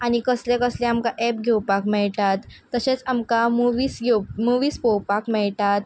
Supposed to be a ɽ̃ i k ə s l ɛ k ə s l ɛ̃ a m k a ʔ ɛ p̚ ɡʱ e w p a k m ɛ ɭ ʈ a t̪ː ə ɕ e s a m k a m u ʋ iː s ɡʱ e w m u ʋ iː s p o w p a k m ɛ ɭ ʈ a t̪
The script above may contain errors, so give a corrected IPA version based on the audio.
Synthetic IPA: a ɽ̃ i k ə s l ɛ k ə s l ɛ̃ a m k a ʔ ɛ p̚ ɡʱ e w p a k m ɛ ɭ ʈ a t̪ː ə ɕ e t͡s a m k a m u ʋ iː s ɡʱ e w m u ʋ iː s p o w p a k m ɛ ɭ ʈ a t̪